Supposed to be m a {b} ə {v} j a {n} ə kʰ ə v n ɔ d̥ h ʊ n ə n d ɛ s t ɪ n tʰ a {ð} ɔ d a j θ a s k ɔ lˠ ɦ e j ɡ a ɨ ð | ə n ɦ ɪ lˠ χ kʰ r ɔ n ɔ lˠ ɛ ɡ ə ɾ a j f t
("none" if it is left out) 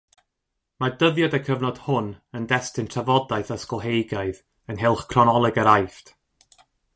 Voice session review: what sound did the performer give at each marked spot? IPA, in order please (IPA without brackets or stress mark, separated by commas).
d, ð, d, v